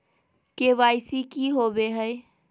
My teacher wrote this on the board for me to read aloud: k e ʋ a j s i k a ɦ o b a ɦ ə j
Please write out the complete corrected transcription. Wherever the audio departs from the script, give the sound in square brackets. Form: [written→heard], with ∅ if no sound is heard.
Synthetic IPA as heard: k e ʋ a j s i k [a→i] ɦ o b [a→e] ɦ ə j